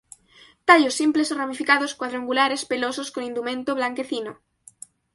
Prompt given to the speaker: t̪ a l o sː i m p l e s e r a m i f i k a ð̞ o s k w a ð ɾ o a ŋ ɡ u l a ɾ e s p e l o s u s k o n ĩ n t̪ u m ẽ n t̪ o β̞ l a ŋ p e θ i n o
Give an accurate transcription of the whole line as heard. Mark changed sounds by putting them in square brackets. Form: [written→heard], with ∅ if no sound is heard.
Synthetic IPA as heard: t̪ a [l→ʎ] o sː i m p l e s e r a m i f i k a ð̞ o s k w a ð ɾ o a ŋ ɡ u l a ɾ e s p e l o s [u→o] s k o n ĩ n [t̪→d̪] u m ẽ n t̪ o β̞ l a ŋ [p→k] e θ i n o

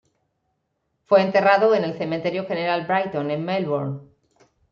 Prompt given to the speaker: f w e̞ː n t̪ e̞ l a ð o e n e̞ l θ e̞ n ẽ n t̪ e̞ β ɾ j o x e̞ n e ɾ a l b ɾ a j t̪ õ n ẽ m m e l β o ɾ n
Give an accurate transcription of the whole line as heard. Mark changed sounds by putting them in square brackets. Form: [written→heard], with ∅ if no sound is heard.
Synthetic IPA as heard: f w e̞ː n t̪ e̞ [l→r] a ð o e n e̞ l θ e̞ [n→m] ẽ n t̪ e̞ [β→∅] ɾ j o x e̞ n e ɾ a l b ɾ a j t̪ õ n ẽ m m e l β o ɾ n

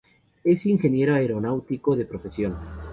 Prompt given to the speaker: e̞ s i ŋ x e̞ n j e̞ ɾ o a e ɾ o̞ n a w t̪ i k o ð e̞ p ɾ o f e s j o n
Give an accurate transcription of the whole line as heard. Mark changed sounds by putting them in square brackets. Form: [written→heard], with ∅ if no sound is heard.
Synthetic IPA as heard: e̞ s i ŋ x e̞ n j e̞ ɾ o a e ɾ o̞ n a w t̪ i k o ð e̞ p ɾ o f e s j o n

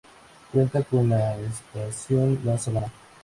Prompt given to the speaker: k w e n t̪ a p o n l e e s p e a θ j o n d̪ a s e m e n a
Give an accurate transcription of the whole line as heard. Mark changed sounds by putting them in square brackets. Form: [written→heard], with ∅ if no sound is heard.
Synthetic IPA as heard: k w e n t̪ a [p→k] o n l [e→a] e s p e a [θ→s] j o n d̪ a s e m [e→a] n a

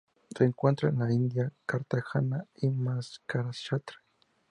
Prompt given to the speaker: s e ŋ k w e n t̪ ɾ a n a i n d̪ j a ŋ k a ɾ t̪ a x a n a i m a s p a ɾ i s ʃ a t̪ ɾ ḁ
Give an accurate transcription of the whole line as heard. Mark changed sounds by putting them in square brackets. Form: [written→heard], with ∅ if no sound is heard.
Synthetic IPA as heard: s e ŋ k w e n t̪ ɾ a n a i n d̪ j a [ŋ→∅] k a ɾ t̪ a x a n a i m a s [p→k] a ɾ [i→a] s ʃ a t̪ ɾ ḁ

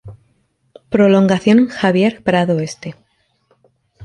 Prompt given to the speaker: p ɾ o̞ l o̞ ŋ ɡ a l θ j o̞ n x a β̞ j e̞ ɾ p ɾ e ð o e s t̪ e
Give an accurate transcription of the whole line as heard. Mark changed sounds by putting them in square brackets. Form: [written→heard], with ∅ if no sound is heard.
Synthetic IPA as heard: p ɾ o̞ l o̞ ŋ ɡ a [l→∅] θ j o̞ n x a β̞ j e̞ ɾ p ɾ [e→a] ð o e s t̪ e

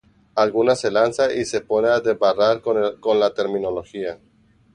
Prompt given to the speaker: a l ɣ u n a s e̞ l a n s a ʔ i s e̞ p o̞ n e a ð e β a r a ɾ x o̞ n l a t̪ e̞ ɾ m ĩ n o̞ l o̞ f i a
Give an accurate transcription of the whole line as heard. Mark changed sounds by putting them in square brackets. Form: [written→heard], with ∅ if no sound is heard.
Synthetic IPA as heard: a l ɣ u n a s e̞ l a n s a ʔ i s e̞ p o̞ n e a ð e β a r a ɾ [x→k] o̞ n l a t̪ e̞ ɾ m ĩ n o̞ l o̞ [f→x] i a

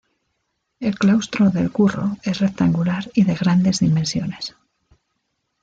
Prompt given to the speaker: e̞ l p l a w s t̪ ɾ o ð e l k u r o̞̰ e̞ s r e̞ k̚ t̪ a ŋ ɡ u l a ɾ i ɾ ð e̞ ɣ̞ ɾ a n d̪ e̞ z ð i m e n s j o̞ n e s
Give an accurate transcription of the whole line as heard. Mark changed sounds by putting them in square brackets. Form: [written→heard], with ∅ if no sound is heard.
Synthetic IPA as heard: e̞ l [p→k] l a w s t̪ ɾ o ð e l k u r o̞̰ e̞ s r e̞ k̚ t̪ a ŋ ɡ u l a ɾ i [ɾ→∅] ð e̞ ɣ̞ ɾ a n d̪ e̞ z ð i m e n s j o̞ n e s

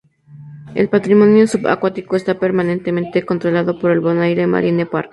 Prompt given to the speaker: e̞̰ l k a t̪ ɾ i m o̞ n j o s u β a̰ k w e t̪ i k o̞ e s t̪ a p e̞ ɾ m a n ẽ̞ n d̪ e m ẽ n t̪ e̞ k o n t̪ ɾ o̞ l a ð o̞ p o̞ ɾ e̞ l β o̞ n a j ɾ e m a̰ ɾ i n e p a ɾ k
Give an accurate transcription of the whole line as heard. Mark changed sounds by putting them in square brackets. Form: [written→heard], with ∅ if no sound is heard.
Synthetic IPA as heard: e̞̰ l [k→p] a t̪ ɾ i m o̞ n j o s u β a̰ k w [e→a] t̪ i k o̞ e s t̪ a p e̞ ɾ m a n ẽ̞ n [d̪→t̪] e m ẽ n t̪ e̞ k o n t̪ ɾ o̞ l a ð o̞ p o̞ ɾ e̞ l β o̞ n a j ɾ e m a̰ ɾ i n e p a ɾ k

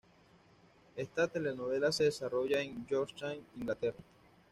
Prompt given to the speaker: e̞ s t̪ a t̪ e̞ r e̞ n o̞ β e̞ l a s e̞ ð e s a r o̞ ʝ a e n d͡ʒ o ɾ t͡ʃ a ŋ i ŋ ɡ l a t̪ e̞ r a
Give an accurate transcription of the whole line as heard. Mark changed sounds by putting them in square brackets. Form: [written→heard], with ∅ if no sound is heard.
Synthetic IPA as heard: e̞ s t̪ a t̪ e̞ [r→l] e̞ n o̞ β e̞ l a s e̞ ð e s a r o̞ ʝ a e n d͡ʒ o ɾ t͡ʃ a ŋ i ŋ ɡ l a t̪ e̞ r a

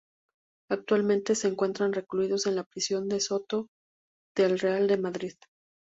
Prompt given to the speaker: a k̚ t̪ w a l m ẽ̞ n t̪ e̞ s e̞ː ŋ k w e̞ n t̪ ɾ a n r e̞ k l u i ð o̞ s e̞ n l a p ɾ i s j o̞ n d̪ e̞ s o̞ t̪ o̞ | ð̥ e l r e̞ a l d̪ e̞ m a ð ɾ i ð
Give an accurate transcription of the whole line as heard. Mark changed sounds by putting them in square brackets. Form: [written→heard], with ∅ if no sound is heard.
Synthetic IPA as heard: a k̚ t̪ w a l m ẽ̞ n t̪ e̞ s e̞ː ŋ k w e̞ n t̪ ɾ a n r e̞ k l u i ð o̞ s e̞ n l a p ɾ i s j o̞ n d̪ e̞ s o̞ t̪ o̞ | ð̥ e l r e̞ a l d̪ e̞ m a ð ɾ i ð

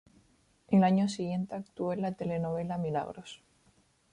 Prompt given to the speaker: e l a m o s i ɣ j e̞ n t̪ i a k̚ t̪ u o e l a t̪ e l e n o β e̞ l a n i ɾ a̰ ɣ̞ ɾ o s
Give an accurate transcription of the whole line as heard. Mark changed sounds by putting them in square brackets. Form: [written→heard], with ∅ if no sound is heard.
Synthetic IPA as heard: e l a [m→ɲ] o s i ɣ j e̞ n t̪ [i→e] a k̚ t̪ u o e l a t̪ e l e n o β e̞ l a [n→m] i [ɾ→l] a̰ ɣ̞ ɾ o s

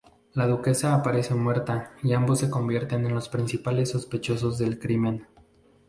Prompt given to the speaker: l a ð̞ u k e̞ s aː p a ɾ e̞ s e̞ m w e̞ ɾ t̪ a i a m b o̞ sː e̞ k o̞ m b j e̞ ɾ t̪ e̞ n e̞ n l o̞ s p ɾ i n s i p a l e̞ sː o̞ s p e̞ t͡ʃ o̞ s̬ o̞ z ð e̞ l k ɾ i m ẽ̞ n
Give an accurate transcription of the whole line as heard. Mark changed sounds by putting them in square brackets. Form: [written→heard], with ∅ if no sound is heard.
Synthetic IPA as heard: l a ð̞ u k e̞ s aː p a ɾ e̞ s e̞ m w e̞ ɾ t̪ a i a m b o̞ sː e̞ k o̞ m b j e̞ ɾ t̪ e̞ n e̞ n l o̞ s p ɾ i n s i p a l e̞ sː o̞ s p e̞ t͡ʃ o̞ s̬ o̞ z ð e̞ l k ɾ i m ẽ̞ n

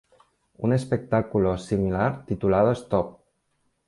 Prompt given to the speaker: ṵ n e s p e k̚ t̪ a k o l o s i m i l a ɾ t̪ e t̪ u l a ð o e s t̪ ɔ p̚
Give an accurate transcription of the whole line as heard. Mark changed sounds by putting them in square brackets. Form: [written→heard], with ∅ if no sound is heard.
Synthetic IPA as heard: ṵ n e s p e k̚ t̪ a k [o→u] l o s i m i l a ɾ t̪ [e→i] t̪ u l a ð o e s t̪ ɔ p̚

